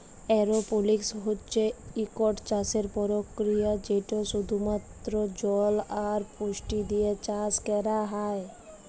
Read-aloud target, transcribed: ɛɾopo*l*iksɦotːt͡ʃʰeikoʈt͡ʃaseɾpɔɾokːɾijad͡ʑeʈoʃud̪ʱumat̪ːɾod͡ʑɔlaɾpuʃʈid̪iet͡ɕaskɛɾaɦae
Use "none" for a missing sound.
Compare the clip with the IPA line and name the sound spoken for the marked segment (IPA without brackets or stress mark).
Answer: l